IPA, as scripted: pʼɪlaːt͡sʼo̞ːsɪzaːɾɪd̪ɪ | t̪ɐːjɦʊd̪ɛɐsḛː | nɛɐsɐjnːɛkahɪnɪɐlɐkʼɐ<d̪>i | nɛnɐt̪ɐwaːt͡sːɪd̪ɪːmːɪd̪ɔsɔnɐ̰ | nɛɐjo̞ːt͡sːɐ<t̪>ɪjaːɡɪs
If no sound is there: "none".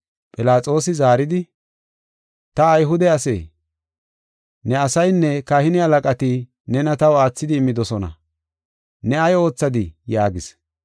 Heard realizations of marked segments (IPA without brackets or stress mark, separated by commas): t̪, d̪